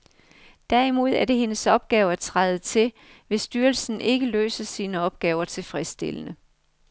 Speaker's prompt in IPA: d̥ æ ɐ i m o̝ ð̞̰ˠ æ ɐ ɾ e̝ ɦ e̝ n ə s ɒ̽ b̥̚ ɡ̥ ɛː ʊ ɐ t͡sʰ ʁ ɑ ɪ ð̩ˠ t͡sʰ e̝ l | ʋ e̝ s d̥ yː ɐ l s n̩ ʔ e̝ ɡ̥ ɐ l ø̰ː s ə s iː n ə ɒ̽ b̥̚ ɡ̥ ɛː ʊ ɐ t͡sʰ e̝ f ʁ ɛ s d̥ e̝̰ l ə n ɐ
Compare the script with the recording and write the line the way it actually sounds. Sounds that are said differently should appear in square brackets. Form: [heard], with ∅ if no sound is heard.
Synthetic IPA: d̥ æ ɐ i m o̝ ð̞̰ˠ æ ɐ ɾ e̝ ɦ e̝ n ə s ɒ̽ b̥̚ ɡ̥ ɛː ʊ ɐ t͡sʰ ʁ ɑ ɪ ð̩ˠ t͡sʰ e̝ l | ʋ e̝ s d̥ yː ɐ l s n̩ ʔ e̝ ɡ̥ [ə] l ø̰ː s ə s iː n ə ɒ̽ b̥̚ ɡ̥ ɛː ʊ ɐ t͡sʰ e̝ f ʁ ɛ s d̥ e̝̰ l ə n [ə]